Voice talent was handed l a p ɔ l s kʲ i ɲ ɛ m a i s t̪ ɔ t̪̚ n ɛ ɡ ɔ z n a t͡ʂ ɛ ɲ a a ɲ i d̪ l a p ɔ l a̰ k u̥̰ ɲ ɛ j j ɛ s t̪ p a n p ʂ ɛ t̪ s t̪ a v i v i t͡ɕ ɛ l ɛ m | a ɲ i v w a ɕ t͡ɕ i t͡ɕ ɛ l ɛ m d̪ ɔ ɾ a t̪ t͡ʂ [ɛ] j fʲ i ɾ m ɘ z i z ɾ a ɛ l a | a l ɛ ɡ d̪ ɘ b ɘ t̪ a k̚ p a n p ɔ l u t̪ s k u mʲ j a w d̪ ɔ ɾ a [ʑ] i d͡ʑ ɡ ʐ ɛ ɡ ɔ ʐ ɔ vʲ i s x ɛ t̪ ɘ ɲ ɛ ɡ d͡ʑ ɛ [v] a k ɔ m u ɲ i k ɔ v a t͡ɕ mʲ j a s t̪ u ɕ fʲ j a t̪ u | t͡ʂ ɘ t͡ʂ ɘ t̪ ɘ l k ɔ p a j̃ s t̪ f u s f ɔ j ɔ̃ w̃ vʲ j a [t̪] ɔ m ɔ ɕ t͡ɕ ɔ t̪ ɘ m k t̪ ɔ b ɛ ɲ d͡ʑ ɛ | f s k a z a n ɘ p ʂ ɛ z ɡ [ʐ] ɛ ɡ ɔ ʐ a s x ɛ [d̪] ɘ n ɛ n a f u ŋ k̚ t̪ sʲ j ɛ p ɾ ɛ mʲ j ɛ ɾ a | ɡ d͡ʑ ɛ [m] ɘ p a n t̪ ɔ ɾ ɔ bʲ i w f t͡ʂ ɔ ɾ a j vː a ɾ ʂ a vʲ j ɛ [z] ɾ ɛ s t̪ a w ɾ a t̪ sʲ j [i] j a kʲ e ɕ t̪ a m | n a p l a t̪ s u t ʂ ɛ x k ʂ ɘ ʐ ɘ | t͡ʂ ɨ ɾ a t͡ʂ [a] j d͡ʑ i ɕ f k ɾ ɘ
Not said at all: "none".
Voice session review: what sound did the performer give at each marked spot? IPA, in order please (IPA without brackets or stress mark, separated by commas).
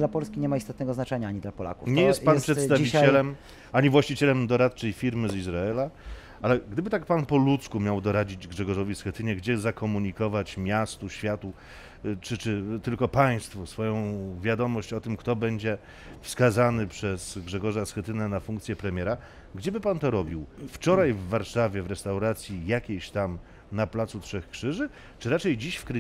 ɛ, d͡ʑ, z, d̪, ʐ, t̪, b, v, i, ɛ